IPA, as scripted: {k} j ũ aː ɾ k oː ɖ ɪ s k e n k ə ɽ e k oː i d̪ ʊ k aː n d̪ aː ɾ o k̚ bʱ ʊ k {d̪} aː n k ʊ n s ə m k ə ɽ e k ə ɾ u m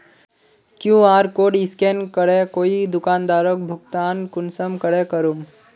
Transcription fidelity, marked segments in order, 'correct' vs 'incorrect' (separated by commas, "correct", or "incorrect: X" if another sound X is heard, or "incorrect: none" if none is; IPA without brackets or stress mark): correct, incorrect: t̪